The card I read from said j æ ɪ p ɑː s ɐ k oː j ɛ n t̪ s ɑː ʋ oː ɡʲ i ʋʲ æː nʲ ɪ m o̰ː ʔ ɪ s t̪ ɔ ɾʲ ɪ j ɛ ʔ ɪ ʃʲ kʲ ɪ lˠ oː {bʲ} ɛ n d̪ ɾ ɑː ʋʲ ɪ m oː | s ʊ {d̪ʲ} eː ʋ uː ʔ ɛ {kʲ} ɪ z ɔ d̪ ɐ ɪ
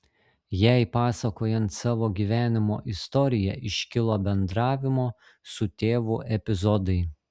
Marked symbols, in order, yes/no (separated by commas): yes, no, no